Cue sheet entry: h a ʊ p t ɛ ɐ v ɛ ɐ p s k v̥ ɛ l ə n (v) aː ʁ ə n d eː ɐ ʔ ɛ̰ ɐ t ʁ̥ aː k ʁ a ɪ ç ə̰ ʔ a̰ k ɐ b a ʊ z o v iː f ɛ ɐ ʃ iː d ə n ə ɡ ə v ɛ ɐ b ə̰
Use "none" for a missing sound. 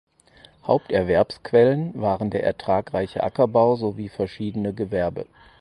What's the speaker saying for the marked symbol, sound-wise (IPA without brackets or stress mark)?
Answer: v